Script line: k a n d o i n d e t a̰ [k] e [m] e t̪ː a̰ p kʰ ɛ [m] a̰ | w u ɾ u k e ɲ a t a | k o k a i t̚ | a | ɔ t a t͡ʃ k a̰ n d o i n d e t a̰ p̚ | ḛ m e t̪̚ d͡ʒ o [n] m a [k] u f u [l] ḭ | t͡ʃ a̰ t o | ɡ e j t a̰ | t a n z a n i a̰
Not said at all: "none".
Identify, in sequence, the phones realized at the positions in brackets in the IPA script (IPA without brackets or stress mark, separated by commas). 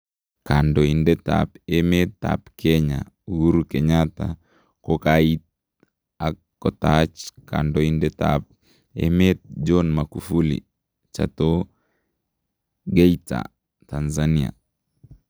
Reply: p, m, ɲ, n, k, l